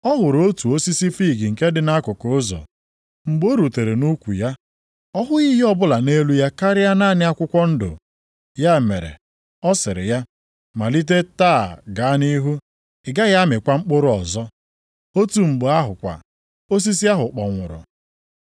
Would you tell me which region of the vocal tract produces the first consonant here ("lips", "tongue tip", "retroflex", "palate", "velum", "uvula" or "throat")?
throat